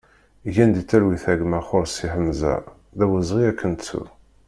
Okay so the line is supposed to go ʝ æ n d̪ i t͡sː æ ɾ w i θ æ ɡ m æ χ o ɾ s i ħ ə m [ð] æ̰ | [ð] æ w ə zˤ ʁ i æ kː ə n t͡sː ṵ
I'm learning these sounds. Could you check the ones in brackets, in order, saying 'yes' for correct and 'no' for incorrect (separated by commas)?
no, yes